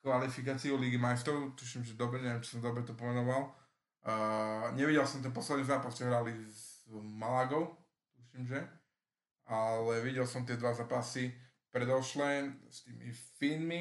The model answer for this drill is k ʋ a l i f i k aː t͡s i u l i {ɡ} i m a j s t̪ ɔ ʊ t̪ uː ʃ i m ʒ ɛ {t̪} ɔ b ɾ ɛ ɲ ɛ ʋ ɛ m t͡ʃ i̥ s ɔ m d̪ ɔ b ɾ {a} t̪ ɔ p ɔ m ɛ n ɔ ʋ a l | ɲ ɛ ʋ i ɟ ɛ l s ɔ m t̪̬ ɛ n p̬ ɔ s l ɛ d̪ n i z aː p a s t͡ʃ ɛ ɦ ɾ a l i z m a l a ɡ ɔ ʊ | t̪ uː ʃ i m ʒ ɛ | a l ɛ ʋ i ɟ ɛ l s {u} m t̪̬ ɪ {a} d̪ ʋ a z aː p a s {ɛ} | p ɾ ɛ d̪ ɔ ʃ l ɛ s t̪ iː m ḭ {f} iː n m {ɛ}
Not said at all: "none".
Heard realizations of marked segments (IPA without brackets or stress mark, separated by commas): ɡ, d̪, ɛ, ɔ, ɛ, i, f, i